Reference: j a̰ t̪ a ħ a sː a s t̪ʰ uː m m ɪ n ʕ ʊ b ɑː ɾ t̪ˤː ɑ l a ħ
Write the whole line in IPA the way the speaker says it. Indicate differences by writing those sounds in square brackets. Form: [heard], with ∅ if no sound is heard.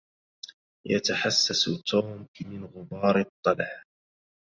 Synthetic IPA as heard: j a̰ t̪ a ħ a sː a s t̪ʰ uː m m ɪ n [ɣ] ʊ b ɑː ɾ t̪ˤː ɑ l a ħ